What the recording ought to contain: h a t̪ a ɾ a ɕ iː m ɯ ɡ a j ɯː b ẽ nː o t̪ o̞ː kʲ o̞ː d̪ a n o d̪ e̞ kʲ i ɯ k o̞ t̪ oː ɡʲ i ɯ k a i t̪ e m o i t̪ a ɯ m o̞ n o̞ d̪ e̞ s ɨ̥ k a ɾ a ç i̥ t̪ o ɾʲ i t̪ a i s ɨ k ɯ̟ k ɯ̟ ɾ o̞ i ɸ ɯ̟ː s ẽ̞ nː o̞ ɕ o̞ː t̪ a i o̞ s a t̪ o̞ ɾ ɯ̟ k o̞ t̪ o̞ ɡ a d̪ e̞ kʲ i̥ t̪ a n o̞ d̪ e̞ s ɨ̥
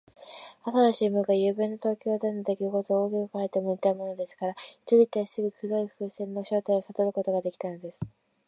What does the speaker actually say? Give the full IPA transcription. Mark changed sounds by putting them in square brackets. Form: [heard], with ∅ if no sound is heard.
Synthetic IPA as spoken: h a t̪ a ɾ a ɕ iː m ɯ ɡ a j ɯː b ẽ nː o t̪ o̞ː kʲ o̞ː d̪ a n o d̪ e̞ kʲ i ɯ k o̞ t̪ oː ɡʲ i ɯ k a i t̪ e m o i t̪ a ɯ m o̞ n o̞ d̪ e̞ s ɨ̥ k a ɾ a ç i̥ t̪ o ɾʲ i t̪ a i s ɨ [ɡ] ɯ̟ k ɯ̟ ɾ o̞ i ɸ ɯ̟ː s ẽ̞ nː o̞ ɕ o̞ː t̪ a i o̞ s a t̪ o̞ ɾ ɯ̟ k o̞ t̪ o̞ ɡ a d̪ e̞ kʲ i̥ t̪ a n o̞ d̪ e̞ s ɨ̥